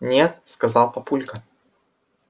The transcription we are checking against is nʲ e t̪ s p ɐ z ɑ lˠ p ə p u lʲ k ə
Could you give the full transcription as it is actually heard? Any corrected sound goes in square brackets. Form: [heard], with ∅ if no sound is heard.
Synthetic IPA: nʲ e t̪ s [k] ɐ z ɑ lˠ p [ɐ] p u lʲ k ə